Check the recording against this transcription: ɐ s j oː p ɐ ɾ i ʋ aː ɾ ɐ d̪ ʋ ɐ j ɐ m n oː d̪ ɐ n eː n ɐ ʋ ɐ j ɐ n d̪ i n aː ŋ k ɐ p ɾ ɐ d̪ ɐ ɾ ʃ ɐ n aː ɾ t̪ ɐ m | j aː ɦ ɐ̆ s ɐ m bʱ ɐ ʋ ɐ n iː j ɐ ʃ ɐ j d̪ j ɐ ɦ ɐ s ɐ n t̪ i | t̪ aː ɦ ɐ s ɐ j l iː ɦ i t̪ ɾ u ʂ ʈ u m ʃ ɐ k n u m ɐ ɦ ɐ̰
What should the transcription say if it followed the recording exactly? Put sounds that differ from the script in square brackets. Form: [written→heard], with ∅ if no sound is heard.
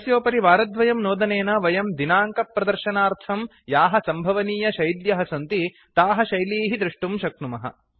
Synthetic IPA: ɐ s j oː p ɐ ɾ i ʋ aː ɾ ɐ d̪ ʋ ɐ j ɐ m n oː d̪ ɐ n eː n ɐ ʋ ɐ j ɐ [n→m] d̪ i n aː ŋ k ɐ p ɾ ɐ d̪ ɐ ɾ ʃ ɐ n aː ɾ [t̪→t̪ʰ] ɐ m | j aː ɦ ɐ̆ s ɐ m bʱ ɐ ʋ ɐ n iː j ɐ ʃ ɐ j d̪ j ɐ ɦ ɐ s ɐ n t̪ i | t̪ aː ɦ ɐ [s→ʃ] ɐ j l iː ɦ i [t̪→d̪] ɾ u ʂ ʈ u m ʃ ɐ k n u m ɐ ɦ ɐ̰